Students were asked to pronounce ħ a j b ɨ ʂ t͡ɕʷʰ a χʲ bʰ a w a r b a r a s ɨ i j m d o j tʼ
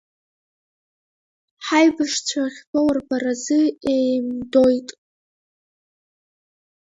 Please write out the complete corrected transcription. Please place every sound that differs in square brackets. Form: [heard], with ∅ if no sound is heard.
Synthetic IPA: ħ a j b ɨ ʂ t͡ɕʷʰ a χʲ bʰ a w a r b a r a [z] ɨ [e] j m d o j tʼ